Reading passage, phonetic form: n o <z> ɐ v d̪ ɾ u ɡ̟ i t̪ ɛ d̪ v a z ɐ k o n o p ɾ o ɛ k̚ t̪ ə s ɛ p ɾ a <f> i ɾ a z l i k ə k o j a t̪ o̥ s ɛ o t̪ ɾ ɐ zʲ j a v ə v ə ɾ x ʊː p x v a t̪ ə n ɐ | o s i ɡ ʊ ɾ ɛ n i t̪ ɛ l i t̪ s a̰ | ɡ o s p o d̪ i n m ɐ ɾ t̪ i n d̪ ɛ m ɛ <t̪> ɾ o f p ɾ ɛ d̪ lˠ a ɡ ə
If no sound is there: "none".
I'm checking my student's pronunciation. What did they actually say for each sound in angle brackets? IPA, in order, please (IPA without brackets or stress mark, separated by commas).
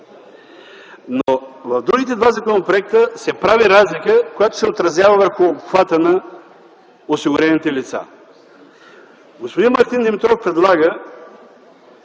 v, v, t̪